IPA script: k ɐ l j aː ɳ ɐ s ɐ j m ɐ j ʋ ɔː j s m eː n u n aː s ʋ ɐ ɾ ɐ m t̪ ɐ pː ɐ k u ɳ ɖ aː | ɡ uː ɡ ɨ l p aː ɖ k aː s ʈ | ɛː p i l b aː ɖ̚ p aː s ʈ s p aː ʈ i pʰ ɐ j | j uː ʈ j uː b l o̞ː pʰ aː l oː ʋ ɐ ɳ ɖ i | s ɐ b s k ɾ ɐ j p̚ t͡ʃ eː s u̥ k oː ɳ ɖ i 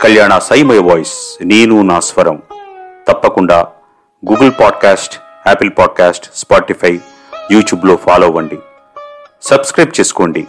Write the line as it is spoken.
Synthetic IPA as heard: k ɐ l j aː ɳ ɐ s ɐ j m ɐ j ʋ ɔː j s n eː n u n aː s ʋ ɐ ɾ ɐ m t̪ ɐ pː ɐ k u ɳ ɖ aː | ɡ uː ɡ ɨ l p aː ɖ k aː s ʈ | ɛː p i l p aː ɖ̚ k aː s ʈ s p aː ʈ i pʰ ɐ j | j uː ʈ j uː b l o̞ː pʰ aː l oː ʋ ɐ ɳ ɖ i | s ɐ b s k ɾ ɐ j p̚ t͡ʃ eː s u̥ k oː ɳ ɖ i